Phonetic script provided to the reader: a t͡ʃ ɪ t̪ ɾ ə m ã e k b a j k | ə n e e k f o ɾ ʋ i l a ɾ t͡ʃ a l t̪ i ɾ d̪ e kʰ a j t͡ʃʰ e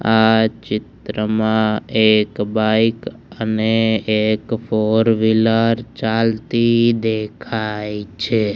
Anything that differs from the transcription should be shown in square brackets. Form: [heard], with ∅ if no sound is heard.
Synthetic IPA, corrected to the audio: a t͡ʃ ɪ t̪ ɾ ə m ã e k b a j k | ə n e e k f o ɾ ʋ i l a ɾ t͡ʃ a l t̪ i [∅] d̪ e kʰ a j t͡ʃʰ e